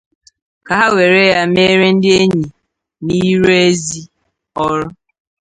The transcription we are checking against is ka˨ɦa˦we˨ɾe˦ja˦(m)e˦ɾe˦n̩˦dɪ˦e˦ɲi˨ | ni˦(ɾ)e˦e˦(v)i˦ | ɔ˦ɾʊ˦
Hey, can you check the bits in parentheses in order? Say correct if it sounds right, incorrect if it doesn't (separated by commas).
correct, correct, incorrect